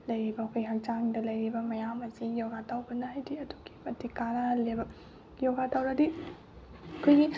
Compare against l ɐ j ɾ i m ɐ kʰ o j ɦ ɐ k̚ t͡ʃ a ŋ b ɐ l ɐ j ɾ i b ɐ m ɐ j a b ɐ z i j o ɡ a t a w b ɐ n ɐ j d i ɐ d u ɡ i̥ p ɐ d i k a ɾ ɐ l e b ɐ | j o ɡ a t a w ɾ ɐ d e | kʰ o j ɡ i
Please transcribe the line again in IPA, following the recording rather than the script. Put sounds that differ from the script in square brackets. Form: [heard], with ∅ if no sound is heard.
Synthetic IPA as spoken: l ɐ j ɾ i [b] ɐ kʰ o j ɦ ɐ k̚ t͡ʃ a ŋ [d] ɐ l ɐ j ɾ i b ɐ m ɐ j a [m] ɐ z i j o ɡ a t a w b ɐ n [a] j d i ɐ d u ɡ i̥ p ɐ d i k a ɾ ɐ l e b ɐ | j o ɡ a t a w ɾ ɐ d [i] | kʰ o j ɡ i